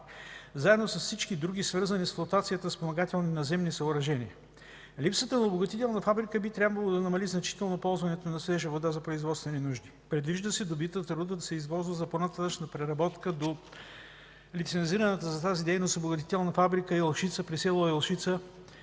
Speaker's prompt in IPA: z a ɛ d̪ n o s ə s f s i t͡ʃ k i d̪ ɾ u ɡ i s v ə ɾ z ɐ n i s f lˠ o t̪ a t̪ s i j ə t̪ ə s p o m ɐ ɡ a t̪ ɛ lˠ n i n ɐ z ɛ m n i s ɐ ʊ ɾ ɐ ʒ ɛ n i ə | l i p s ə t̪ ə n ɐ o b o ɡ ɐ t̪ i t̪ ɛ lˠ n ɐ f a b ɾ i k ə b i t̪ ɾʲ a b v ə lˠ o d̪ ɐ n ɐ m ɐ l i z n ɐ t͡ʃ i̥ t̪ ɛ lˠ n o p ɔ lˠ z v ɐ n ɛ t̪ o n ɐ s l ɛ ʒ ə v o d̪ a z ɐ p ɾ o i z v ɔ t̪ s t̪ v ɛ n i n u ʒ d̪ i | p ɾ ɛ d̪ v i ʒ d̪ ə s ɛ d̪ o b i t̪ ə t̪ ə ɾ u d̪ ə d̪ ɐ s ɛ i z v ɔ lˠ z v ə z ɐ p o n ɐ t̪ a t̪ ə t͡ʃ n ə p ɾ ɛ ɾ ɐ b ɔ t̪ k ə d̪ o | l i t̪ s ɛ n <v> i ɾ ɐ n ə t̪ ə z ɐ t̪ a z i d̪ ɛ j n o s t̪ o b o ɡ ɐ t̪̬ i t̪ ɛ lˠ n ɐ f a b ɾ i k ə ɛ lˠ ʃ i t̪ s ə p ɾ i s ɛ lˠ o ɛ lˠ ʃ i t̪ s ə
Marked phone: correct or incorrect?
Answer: incorrect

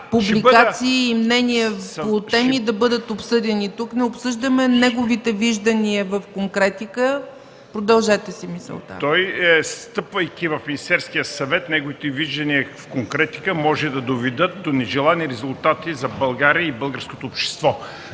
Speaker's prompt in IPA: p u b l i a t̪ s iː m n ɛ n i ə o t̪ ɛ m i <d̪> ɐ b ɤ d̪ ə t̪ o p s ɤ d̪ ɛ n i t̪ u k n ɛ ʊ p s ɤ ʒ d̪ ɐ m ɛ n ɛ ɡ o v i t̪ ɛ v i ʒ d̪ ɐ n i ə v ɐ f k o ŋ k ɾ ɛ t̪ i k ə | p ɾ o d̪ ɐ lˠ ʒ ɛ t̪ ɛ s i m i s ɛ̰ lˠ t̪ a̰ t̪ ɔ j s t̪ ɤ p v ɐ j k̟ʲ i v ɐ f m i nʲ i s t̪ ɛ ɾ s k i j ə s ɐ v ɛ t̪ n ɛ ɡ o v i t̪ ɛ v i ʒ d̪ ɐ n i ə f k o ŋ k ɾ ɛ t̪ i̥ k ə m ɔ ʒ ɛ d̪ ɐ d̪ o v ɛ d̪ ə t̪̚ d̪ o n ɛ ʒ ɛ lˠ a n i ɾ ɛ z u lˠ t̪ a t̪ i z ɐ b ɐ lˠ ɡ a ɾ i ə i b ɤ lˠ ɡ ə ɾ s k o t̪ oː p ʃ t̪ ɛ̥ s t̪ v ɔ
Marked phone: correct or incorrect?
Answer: correct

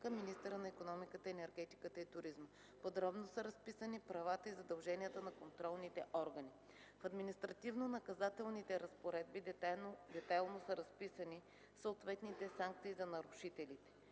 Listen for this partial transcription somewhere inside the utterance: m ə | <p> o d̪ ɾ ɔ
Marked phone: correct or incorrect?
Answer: correct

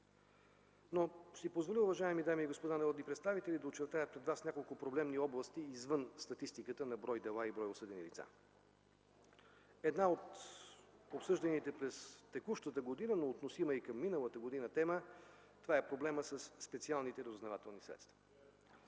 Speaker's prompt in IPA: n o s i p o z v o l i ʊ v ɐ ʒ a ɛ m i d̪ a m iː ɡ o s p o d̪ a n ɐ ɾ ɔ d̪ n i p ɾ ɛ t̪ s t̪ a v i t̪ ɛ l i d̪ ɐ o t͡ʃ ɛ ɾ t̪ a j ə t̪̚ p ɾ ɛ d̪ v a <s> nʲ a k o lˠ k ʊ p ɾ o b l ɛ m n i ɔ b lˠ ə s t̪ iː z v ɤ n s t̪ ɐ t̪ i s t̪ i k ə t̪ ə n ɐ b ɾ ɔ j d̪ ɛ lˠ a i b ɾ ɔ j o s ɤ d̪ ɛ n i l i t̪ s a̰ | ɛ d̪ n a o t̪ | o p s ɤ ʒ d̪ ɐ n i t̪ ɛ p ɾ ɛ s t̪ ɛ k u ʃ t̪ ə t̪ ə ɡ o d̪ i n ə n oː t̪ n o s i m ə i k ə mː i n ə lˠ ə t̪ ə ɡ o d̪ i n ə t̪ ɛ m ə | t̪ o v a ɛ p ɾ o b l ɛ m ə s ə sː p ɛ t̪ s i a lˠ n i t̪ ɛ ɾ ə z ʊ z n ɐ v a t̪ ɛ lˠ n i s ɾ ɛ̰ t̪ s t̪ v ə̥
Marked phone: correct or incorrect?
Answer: correct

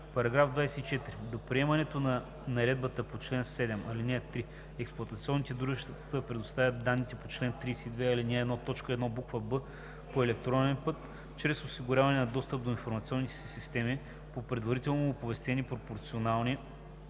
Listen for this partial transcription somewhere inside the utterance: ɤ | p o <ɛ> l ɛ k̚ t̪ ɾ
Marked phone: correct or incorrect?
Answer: correct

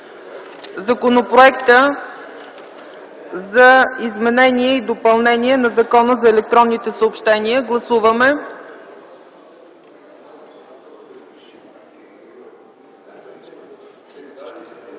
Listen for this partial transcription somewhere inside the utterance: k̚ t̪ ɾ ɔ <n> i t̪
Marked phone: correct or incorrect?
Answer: incorrect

